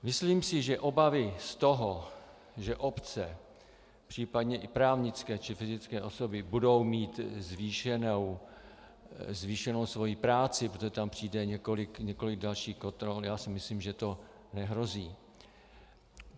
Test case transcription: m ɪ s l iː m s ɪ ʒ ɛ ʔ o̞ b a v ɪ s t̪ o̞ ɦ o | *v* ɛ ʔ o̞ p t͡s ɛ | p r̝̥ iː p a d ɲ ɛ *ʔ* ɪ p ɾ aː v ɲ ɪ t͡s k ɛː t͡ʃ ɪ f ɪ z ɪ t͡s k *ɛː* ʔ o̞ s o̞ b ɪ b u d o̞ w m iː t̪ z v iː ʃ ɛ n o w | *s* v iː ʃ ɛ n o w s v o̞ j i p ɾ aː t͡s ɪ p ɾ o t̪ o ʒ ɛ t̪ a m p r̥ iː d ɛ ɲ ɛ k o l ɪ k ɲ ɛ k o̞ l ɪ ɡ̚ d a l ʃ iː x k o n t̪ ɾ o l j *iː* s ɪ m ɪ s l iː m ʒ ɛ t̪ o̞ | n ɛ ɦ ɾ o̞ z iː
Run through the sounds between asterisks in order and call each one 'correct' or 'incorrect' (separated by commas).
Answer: incorrect, correct, correct, incorrect, incorrect